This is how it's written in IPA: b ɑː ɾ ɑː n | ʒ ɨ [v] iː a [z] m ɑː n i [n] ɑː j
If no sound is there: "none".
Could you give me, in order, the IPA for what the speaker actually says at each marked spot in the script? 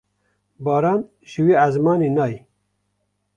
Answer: w, z, n

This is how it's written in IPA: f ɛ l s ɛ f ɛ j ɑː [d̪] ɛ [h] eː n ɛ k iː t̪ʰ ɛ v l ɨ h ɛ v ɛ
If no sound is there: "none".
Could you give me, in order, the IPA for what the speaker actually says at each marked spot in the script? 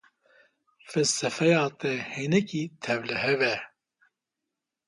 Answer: t̪, h

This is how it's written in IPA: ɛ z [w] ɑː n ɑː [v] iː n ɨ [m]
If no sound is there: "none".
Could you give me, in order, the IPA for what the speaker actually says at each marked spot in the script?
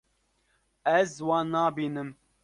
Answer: w, b, m

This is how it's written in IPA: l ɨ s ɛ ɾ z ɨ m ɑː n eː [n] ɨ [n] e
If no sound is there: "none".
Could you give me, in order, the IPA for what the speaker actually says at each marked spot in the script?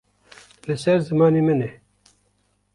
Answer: m, n

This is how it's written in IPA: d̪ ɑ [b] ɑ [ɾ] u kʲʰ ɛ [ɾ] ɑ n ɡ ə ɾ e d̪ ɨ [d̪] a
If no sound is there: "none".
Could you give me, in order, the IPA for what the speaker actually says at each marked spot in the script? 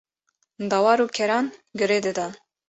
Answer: w, ɾ, ɾ, d̪

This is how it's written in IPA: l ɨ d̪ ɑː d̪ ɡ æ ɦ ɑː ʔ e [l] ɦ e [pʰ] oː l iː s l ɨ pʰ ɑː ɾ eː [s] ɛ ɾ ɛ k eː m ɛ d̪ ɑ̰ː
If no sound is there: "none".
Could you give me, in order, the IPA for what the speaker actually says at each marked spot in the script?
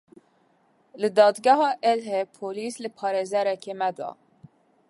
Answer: l, pʰ, z

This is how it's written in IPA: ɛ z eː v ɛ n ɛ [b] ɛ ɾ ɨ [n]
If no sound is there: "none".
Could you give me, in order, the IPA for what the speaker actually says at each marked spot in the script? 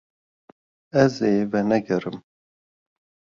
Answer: ɡ, m

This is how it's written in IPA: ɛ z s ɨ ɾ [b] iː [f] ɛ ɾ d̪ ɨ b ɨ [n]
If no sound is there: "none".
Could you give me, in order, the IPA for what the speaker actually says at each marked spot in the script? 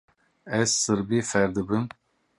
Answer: b, f, m

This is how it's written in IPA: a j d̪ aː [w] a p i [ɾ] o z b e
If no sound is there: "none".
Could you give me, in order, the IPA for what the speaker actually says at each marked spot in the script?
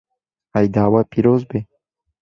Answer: w, ɾ

